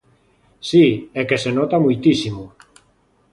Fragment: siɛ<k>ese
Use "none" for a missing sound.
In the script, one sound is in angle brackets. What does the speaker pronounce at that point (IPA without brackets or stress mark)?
k